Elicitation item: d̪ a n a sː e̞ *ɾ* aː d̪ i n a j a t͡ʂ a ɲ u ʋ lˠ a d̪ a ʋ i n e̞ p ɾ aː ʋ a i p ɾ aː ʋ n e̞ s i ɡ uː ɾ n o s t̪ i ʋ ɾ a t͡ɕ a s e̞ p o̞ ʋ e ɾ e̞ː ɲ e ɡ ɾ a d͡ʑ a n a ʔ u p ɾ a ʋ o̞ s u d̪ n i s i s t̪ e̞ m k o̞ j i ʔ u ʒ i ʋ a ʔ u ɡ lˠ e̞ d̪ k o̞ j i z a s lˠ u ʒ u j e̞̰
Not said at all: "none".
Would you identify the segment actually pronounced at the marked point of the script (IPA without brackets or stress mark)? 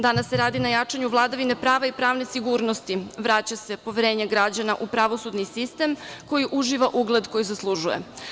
ɾ